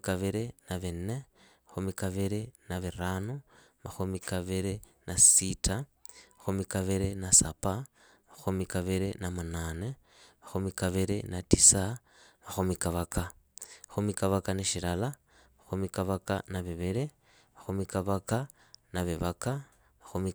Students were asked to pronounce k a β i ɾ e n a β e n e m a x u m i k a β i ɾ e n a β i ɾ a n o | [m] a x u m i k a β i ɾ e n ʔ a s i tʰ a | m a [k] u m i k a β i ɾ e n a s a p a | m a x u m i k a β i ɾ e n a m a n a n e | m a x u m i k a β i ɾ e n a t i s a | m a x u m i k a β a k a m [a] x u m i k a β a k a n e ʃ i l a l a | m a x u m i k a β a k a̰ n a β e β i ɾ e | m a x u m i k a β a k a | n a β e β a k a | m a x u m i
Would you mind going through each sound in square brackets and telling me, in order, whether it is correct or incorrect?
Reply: correct, incorrect, correct

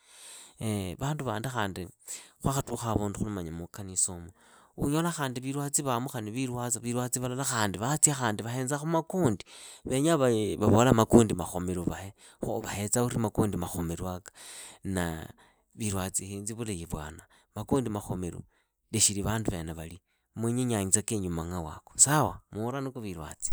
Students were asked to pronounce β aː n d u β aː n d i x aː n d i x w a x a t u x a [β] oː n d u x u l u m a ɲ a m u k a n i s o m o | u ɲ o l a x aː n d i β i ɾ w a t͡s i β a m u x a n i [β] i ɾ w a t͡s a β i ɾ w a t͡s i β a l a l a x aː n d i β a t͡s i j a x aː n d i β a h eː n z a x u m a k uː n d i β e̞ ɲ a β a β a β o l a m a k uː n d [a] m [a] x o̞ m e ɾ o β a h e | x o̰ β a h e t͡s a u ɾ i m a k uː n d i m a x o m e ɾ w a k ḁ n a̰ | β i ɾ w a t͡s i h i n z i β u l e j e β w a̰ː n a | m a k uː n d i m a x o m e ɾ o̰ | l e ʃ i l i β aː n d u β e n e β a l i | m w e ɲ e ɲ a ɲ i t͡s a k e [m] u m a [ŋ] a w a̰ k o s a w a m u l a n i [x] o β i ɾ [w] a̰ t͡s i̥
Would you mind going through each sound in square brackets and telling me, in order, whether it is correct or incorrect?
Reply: correct, correct, incorrect, correct, incorrect, correct, incorrect, correct

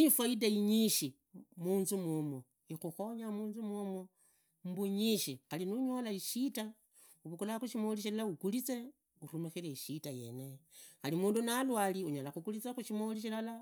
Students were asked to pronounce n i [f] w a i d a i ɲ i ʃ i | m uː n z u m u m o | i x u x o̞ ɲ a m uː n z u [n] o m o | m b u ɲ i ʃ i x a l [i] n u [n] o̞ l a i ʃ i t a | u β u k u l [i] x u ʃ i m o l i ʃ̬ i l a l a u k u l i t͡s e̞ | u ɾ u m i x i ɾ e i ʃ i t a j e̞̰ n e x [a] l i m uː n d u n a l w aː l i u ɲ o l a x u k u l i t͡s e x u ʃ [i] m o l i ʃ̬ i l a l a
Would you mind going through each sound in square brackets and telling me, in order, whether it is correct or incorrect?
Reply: correct, incorrect, correct, incorrect, incorrect, correct, correct

